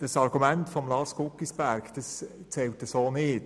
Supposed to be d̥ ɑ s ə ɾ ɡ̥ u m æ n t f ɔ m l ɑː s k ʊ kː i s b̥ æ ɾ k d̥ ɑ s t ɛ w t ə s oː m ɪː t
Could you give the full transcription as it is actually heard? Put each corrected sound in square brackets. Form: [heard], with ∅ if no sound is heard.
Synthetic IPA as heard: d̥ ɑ s [ɑ] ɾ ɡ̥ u m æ n t f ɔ m l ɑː s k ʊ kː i s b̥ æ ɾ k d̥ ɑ s [t͡s] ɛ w t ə s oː [n] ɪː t